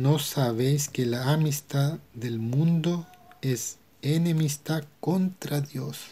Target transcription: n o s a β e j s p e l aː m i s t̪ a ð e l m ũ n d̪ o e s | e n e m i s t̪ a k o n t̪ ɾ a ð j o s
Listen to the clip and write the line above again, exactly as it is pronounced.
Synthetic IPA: n o s a β e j s k e l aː m i s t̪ a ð e l m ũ n d̪ o e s | e n e m i s t̪ a k o n t̪ ɾ a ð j o s

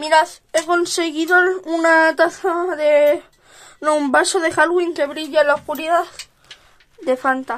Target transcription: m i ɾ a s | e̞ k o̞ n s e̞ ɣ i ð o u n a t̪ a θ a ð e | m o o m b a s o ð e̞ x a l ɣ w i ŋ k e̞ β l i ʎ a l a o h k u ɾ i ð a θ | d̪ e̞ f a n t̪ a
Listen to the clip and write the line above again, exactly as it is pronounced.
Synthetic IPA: m i ɾ a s | e̞ k o̞ n s e̞ ɣ i ð o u n a t̪ a θ a ð e | n o u m b a s o ð e̞ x a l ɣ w i ŋ k e̞ β ɾ i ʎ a l a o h k u ɾ i ð a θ | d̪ e̞ f a n t̪ a

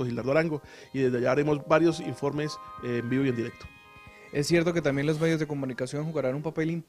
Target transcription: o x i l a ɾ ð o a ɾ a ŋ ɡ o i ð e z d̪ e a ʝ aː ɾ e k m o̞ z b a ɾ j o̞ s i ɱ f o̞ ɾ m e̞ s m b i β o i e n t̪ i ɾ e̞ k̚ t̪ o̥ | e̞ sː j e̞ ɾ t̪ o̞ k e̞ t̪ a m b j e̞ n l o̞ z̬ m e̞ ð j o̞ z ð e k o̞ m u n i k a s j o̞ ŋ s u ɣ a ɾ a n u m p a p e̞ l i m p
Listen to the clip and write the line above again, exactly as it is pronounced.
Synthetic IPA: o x i l a ɾ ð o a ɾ a ŋ ɡ o i ð e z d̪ e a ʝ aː ɾ e m o̞ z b a ɾ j o̞ s i ɱ f o̞ ɾ m e̞ s m b i β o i e n d̪ i ɾ e̞ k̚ t̪ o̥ | e̞ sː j e̞ ɾ t̪ o̞ k e̞ t̪ a m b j e̞ n l o̞ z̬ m e̞ ð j o̞ z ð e k o̞ m u n i k a s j o̞ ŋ x u ɣ a ɾ a n u m p a p e̞ l i m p

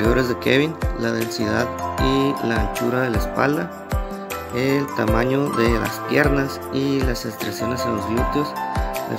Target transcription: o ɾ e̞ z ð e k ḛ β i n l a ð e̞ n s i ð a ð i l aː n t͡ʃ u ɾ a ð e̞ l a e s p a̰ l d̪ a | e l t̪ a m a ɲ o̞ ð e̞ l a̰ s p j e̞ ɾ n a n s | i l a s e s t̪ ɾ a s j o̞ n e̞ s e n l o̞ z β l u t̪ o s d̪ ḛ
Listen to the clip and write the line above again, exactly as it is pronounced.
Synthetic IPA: o ɾ e̞ z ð e k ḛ β i n l a ð e̞ n s i ð a ð i l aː n t͡ʃ u ɾ a ð e̞ l a e s p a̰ l d̪ a | e l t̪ a m a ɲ o̞ ð e̞ l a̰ s p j e̞ ɾ n a s | i l a s e s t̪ ɾ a s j o̞ n e̞ s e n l o̞ z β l u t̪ o s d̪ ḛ

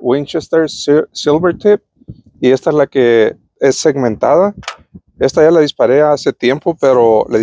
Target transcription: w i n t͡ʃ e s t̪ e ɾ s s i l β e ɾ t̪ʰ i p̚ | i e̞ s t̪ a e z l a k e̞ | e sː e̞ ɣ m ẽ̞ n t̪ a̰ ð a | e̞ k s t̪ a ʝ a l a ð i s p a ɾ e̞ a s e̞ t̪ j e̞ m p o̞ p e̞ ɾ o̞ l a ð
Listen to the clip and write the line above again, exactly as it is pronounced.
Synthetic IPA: w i n t͡ʃ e s t̪ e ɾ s s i l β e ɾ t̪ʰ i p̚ | i e̞ s t̪ a e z l a k e̞ | e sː e̞ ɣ m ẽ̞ n t̪ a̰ ð a | e̞ s t̪ a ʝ a l a ð i s p a ɾ e̞ a s e̞ t̪ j e̞ m p o̞ p e̞ ɾ o̞ l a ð

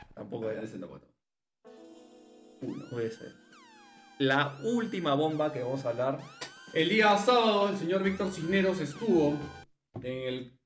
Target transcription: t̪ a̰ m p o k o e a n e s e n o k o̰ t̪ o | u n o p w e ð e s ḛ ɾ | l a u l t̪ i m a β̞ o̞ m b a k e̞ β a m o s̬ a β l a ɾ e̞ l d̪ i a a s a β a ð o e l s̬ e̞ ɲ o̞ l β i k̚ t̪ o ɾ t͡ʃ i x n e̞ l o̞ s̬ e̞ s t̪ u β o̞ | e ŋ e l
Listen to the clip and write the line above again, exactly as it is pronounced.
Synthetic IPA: t̪ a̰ m p o k o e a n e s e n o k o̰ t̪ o | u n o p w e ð e s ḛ ɾ | l a u l t̪ i m a β̞ o̞ m b a k e̞ β a m o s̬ a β l a ɾ e̞ l d̪ i a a s a β a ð o e l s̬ e̞ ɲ o̞ ɾ β i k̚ t̪ o ɾ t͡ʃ i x n e̞ ɾ o̞ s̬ e̞ s t̪ u β o̞ | e ŋ e l

